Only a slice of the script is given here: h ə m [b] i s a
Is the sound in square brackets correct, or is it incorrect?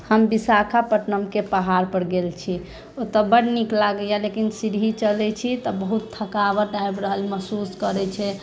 correct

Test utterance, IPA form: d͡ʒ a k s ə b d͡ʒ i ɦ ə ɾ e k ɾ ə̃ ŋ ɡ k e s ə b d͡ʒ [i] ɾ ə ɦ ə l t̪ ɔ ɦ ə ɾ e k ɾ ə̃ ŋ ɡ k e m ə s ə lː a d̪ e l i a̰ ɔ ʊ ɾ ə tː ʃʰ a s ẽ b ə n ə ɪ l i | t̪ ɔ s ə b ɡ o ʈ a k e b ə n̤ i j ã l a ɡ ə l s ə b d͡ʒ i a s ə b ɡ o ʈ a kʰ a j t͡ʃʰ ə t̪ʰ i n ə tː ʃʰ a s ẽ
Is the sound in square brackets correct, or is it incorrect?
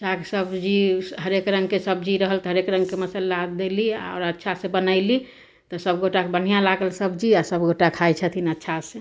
correct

